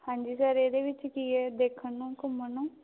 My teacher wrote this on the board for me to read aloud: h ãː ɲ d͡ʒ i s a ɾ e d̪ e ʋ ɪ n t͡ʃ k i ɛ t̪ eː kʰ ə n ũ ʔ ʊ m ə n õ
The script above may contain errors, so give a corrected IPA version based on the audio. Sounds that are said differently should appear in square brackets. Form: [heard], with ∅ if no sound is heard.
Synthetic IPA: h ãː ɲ d͡ʒ i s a ɾ e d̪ e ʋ ɪ [∅] t͡ʃ k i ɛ [d̪] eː kʰ ə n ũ [k] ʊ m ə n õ